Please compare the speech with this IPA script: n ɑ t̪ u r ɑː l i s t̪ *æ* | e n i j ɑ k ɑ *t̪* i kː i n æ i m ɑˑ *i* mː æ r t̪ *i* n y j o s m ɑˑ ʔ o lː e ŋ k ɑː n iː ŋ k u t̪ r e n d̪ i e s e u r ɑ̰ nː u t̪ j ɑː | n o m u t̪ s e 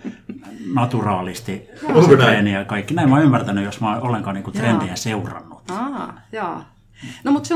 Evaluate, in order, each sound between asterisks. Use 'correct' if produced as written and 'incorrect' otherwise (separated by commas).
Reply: incorrect, incorrect, incorrect, incorrect